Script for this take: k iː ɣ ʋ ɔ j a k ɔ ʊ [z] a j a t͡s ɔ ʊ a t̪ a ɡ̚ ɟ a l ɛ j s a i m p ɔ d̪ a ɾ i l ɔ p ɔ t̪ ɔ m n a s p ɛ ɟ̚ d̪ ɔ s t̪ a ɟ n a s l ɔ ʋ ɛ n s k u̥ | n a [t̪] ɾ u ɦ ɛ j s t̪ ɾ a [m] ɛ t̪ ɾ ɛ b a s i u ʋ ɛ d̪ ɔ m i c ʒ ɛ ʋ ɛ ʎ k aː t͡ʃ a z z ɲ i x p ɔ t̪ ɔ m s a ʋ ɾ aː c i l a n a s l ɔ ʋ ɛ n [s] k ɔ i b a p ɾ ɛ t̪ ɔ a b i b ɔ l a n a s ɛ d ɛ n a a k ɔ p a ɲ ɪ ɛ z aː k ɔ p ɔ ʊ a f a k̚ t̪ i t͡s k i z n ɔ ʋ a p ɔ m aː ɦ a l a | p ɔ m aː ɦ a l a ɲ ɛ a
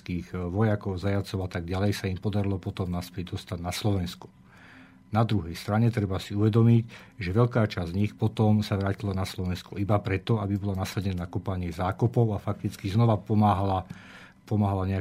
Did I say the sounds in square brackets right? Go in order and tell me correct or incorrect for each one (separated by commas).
correct, incorrect, incorrect, correct